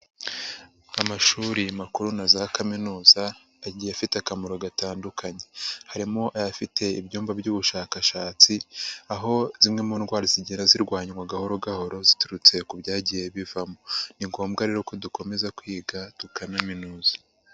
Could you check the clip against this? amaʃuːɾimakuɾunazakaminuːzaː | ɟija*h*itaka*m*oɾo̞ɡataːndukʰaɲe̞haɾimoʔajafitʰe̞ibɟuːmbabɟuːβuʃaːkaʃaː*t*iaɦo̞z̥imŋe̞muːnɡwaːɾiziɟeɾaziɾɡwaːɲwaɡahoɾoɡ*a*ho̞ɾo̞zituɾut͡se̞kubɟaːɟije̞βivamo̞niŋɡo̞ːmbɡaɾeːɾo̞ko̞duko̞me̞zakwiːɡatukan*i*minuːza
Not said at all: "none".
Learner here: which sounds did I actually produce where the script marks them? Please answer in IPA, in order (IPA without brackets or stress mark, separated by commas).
f, m, t͡s, a, a